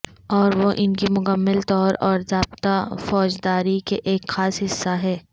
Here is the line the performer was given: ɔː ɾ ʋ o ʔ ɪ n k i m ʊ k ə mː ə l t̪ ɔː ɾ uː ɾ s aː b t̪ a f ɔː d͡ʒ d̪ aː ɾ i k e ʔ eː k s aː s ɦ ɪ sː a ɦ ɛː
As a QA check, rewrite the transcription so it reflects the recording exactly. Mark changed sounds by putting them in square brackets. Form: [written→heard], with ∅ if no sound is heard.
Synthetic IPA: ɔː ɾ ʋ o ʔ ɪ n k i m ʊ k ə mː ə l t̪ ɔː ɾ [uː→ɔː] ɾ [s→z] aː b t̪ a f ɔː d͡ʒ d̪ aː ɾ i k e ʔ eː k [s→x] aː s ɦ ɪ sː a ɦ ɛː

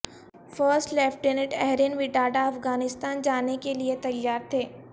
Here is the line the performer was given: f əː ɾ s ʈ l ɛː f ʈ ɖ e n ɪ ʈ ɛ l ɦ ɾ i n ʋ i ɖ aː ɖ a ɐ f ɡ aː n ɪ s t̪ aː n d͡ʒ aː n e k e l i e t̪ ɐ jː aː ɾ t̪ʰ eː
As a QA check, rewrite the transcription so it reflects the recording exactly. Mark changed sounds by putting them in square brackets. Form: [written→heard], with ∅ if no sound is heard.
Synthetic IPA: f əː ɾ s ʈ l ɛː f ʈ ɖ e n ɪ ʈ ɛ [l→∅] ɦ ɾ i n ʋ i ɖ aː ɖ a ɐ f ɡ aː n ɪ s t̪ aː n d͡ʒ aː n e k e l i e t̪ ɐ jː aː ɾ t̪ʰ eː

